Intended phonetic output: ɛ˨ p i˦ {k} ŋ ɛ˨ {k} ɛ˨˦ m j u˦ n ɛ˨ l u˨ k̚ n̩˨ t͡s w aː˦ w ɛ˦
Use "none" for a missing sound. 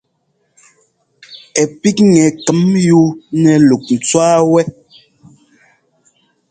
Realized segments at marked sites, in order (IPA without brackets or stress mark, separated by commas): k, k